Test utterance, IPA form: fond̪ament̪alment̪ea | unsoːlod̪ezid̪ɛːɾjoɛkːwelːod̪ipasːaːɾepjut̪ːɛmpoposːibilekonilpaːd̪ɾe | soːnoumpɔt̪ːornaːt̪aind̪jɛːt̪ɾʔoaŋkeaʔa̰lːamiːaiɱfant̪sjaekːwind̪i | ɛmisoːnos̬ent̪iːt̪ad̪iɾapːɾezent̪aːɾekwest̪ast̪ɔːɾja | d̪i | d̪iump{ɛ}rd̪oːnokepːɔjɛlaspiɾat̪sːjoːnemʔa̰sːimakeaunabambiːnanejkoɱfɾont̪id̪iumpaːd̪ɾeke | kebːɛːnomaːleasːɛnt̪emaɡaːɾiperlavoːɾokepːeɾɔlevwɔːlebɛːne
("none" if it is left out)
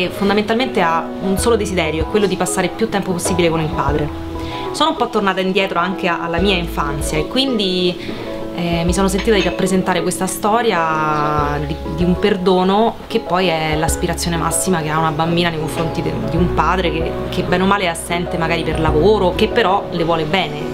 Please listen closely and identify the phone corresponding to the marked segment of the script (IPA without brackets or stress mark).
e